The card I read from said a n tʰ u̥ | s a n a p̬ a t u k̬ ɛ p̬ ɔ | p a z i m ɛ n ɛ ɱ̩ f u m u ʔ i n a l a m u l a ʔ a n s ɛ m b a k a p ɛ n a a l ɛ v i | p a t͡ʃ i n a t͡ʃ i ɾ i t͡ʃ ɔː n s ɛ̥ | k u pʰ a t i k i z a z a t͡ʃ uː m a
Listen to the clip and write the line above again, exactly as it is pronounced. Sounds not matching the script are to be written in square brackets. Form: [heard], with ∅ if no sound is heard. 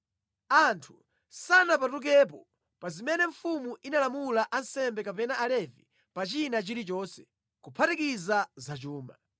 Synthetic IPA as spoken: a n tʰ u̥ | s a n a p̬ a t u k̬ ɛ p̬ ɔ | p a z i m ɛ n ɛ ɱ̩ f u m u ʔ i n a l a m u l a ʔ a n s ɛ m b [ɛ] k a p ɛ n a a l ɛ v i | p a t͡ʃ i n a t͡ʃ i ɾ i t͡ʃ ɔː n s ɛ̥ | k u pʰ a t i k i z a z a t͡ʃ uː m a